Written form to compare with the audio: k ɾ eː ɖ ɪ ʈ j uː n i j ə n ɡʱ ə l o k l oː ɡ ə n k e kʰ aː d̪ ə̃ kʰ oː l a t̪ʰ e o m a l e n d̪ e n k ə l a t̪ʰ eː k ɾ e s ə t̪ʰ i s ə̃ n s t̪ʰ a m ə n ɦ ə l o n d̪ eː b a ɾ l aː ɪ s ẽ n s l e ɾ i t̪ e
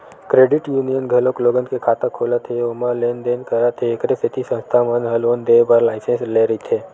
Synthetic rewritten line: k ɾ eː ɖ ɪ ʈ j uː n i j ə n ɡʱ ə l o k l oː ɡ ə n k e kʰ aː t̪ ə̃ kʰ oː l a t̪ʰ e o m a l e n d̪ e n k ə ɾ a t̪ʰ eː k ɾ e s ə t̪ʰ i s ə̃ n s t̪ʰ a m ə n ɦ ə l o n d̪ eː b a ɾ l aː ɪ s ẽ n s l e ɾ i t̪ʰ e